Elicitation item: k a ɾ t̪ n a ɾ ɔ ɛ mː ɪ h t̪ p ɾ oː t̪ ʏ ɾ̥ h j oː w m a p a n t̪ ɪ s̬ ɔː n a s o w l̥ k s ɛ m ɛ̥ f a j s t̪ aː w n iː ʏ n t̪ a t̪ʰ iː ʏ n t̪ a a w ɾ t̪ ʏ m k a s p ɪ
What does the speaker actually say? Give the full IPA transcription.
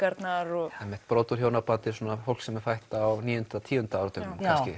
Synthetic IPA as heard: k a ɾ t̪ n a ɾ ɔ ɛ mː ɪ h t̪ p ɾ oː t̪ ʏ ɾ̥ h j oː w n a p a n t̪ ɪ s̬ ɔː n a f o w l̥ k s ɛ m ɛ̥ f a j h t̪ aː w n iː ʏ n t̪ a t̪ʰ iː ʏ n t̪ a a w ɾ t̪ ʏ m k a s c ɪ

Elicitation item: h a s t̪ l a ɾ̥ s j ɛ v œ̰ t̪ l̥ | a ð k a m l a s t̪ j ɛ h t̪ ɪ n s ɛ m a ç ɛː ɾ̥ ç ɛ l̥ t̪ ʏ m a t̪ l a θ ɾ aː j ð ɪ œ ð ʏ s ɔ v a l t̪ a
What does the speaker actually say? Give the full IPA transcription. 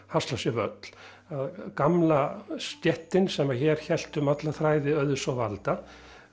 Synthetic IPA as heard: h a s t̪ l a s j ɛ v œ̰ t̪ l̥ | a ð k a m l a s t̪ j ɛ h t̪ ɪ n s ɛ m a ç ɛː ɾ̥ ç ɛ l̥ t̪ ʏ m a t̪ l a θ ɾ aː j ð ɪ œ ð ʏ s ɔ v a l t̪ a

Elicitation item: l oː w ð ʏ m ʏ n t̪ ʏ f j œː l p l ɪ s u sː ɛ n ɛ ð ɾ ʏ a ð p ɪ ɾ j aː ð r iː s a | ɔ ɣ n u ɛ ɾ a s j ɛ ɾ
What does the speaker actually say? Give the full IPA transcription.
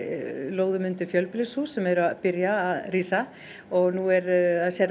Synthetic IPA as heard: l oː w ð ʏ m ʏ n t̪ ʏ f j œ l p l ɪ s u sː ɛ m ɛ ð ɾ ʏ a ð p ɪ ɾ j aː ð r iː s a | ɔ ɣ n u ɛ ɾ a s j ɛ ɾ

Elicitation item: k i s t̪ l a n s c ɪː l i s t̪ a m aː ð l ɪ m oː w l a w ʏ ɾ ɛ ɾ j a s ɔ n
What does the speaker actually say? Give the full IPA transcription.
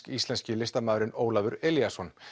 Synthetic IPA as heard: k i s t̪ l ɛ n s c ɪ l ɪ s t̪ a m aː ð ɾ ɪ n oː w l a v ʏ ɾ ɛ l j a s ɔ n

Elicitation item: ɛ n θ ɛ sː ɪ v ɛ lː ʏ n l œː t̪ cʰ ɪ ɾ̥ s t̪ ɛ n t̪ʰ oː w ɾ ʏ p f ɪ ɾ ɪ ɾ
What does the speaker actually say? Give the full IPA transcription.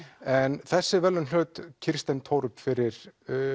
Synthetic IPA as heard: ɛ n θ ɛ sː ɪ v ɛ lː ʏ n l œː t̪ cʰ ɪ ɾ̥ s t̪ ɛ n t̪ʰ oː w ɾ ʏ p f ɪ ɾ ɪ ɾ

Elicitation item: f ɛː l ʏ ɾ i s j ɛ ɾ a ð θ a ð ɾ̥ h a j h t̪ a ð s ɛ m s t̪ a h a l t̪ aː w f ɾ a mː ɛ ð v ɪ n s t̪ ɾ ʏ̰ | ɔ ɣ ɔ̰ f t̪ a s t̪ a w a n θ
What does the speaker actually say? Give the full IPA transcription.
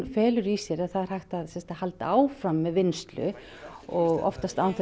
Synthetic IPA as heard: f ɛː l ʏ ɾ i s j ɛ ɾ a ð θ a ð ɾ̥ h a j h t̪ a ð s ɛ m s t̪ a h a l t̪ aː w f ɾ a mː ɛ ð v ɪ n s t̪ l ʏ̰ | ɔ ɣ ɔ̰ f t̪ a s t̪ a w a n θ

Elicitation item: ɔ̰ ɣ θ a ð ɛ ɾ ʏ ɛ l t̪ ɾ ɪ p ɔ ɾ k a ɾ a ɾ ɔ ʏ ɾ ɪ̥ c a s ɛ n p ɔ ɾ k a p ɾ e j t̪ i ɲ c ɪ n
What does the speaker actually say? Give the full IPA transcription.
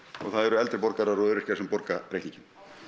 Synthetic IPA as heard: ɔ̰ ɣ θ a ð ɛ ɾ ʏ ɛ l t̪ ɾ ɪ p ɔ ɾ k a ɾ a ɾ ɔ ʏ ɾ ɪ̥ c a s ɛ m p ɔ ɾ k a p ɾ e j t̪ i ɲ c ɪ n

